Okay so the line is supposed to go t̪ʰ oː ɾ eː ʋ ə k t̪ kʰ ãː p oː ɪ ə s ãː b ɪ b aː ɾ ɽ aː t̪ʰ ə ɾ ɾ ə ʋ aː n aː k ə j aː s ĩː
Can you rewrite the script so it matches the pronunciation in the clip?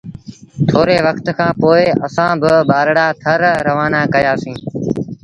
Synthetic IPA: t̪ʰ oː ɾ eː ʋ ə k t̪ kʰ ãː p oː ɪ ə s ãː b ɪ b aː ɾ ɽ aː t̪ʰ ə ɾ ɾ ə ʋ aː n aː k ə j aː s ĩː